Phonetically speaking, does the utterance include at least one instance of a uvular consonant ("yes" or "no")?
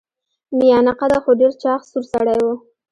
yes